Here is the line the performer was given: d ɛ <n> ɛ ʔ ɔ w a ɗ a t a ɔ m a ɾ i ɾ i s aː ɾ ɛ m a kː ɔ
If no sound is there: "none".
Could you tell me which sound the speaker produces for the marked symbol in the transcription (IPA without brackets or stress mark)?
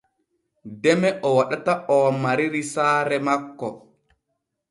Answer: m